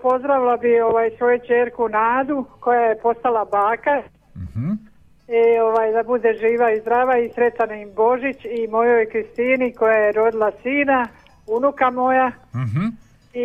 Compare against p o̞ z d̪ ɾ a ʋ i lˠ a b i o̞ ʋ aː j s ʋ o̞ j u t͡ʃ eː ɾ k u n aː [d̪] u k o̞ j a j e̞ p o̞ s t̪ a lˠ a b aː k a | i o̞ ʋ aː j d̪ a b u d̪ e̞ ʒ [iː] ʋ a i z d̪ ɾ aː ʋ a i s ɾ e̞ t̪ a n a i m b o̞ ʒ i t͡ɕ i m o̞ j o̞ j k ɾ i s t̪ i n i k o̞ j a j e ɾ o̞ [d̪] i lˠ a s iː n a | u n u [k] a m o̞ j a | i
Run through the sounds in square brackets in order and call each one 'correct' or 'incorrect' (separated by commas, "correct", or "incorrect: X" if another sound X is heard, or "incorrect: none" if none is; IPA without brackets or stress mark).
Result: correct, correct, correct, correct